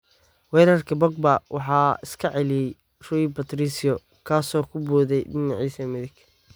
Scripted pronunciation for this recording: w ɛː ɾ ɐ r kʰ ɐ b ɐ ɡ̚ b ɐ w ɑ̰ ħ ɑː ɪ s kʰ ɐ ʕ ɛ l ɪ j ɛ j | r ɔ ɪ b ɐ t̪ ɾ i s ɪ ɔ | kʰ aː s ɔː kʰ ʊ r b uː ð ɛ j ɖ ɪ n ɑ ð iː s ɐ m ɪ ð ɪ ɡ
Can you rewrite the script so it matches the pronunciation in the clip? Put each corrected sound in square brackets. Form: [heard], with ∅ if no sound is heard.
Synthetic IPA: w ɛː ɾ ɐ r kʰ ɐ b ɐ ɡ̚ b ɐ w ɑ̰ ħ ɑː ɪ s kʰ ɐ ʕ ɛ l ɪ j ɛ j | r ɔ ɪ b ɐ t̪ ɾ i s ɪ ɔ | kʰ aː s ɔː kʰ ʊ [∅] b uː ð ɛ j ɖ ɪ n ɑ [ʕ] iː s ɐ m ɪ ð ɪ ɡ